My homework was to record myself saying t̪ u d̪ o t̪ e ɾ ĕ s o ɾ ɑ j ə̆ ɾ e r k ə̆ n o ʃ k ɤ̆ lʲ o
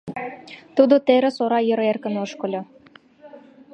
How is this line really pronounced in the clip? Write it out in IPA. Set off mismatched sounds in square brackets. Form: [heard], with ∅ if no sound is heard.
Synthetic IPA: t̪ u d̪ o t̪ e ɾ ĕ s o ɾ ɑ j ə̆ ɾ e r k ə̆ n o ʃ k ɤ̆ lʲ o